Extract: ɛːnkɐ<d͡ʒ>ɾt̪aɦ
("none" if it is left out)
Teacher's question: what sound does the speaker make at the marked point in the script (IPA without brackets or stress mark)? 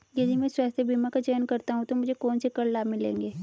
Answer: none